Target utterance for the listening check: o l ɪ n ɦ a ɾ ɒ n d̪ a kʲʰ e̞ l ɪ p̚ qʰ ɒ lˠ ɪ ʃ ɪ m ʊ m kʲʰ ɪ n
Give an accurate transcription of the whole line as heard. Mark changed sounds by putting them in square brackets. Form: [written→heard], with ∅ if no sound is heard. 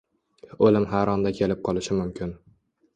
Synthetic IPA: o l ɪ [n→m] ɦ a ɾ ɒ n d̪ a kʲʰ e̞ l ɪ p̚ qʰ ɒ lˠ ɪ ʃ ɪ m ʊ m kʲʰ ɪ n

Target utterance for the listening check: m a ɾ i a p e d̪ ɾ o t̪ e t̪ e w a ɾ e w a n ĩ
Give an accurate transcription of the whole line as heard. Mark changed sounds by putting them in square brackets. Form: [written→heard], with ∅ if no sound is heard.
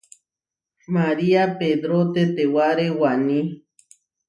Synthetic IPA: m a ɾ i a p e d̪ ɾ o t̪ e t̪ e w a ɾ e w a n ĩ

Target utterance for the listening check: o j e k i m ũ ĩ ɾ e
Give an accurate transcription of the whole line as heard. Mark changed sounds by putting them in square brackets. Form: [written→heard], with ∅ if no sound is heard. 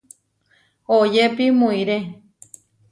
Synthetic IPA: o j e [k→p] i m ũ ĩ ɾ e

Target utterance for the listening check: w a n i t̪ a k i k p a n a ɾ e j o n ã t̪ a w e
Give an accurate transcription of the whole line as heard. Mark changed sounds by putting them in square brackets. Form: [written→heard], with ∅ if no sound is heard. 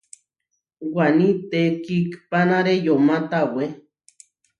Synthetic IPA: w a n i t̪ [a→e] k i k p a n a ɾ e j o [n→m] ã t̪ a w e

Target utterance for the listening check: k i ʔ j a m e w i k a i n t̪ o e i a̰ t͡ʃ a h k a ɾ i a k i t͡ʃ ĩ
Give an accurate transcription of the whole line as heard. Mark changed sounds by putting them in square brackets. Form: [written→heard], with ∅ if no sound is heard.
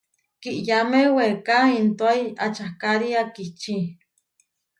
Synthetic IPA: k i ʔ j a m e w [i→e] k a i n t̪ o [e→a] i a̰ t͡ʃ a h k a ɾ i a k i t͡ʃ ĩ

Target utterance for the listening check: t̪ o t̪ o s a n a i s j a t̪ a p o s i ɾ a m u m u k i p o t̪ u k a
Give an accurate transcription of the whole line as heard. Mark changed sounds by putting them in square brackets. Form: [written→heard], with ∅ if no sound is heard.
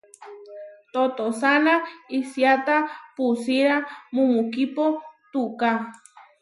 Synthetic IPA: t̪ o t̪ o s a n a i s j a t̪ a p [o→u] s i ɾ a m u m u k i p o t̪ u k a

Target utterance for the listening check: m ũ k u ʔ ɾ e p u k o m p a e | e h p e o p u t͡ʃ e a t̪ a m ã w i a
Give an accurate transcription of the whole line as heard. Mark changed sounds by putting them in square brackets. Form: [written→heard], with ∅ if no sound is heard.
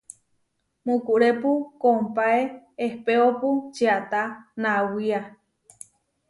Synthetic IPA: m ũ k u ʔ ɾ e p u k o m p a e | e h p e o p u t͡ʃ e a t̪ a [m→n] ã w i a

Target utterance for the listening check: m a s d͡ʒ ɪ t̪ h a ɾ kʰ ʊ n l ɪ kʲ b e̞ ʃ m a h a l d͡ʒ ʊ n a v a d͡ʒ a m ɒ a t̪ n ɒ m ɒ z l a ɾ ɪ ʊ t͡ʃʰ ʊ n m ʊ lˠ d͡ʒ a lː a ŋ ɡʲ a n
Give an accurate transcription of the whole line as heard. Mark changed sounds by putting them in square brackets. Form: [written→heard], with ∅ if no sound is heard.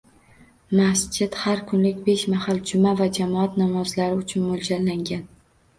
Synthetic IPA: m a s d͡ʒ ɪ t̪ h a ɾ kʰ ʊ n l ɪ kʲ b e̞ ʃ m a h a l d͡ʒ ʊ [n→m] a v a d͡ʒ a m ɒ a t̪ n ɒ m ɒ z l a ɾ ɪ ʊ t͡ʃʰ ʊ n m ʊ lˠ d͡ʒ a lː a ŋ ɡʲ a n

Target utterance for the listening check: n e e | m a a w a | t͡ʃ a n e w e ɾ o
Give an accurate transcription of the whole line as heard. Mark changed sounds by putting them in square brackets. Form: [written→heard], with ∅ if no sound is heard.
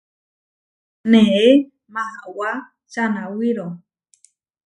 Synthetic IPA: n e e | m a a w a | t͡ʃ a n [e→a] w [e→i] ɾ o

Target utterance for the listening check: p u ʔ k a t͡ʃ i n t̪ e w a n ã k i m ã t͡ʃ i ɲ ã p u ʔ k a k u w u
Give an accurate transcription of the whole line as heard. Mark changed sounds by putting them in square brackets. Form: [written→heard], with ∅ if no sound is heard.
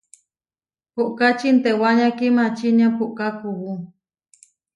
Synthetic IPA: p u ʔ k a t͡ʃ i n t̪ e w a [n→ɲ] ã k i m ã t͡ʃ i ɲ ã p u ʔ k a k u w u

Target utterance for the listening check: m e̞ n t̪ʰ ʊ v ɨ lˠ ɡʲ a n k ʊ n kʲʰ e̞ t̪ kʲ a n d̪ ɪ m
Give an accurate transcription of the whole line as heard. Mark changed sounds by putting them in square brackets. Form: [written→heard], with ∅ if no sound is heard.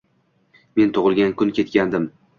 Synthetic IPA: m e̞ n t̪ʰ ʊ [v→ʁ] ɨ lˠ ɡʲ a n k ʊ n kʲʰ e̞ t̪ kʲ a n d̪ ɪ m

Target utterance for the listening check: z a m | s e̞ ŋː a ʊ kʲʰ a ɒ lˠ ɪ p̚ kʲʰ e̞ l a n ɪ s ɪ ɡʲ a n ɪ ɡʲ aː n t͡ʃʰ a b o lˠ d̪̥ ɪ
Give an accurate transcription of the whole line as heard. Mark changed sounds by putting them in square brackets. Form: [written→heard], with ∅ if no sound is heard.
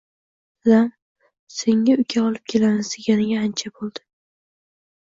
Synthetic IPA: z a m | s e̞ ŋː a ʊ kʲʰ a ɒ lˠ ɪ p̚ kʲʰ e̞ l a n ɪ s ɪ ɡʲ a n ɪ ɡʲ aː n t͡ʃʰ a b o lˠ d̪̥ ɪ

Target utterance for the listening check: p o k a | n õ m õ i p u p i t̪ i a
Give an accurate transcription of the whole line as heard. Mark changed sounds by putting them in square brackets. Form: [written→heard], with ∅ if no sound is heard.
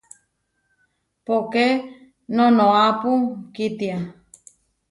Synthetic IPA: p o k [a→e] | n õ [m→n] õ [i→a] p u [p→k] i t̪ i a

